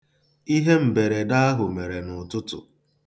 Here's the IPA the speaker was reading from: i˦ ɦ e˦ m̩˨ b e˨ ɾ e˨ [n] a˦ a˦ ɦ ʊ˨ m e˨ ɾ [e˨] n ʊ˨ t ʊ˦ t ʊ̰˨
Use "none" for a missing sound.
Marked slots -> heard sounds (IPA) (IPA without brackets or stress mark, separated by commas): d, e˨